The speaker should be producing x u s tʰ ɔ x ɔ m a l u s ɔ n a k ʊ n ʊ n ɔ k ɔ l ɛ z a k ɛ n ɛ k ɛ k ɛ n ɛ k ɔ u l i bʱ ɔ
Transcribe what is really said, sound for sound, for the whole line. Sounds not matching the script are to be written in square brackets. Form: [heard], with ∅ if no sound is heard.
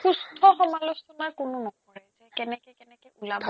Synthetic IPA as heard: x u s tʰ ɔ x ɔ m a l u s ɔ n a k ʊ n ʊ n ɔ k ɔ [ɹ] ɛ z [ɛ] k ɛ n ɛ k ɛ k ɛ n ɛ k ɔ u l [a] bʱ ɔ